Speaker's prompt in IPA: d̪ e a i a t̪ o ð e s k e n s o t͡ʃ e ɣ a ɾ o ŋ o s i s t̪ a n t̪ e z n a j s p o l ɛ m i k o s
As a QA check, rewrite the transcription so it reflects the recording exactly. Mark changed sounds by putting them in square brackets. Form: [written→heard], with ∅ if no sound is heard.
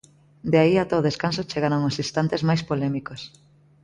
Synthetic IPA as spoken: d̪ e a i a t̪ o ð e s k [e→a] n s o t͡ʃ e ɣ a ɾ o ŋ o s i s t̪ a n t̪ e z [n→m] a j s p o l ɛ m i k o s